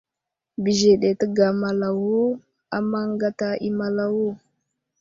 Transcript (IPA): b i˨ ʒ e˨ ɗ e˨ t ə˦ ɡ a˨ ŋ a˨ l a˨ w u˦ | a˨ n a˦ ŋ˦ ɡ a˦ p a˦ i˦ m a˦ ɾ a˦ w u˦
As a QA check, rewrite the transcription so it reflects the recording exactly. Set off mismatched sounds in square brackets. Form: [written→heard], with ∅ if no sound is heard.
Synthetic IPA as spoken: b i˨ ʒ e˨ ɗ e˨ t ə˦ ɡ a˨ [ŋ→m] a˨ l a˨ w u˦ | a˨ [n→m] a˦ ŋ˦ ɡ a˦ [p→t] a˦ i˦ m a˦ [ɾ→l] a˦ w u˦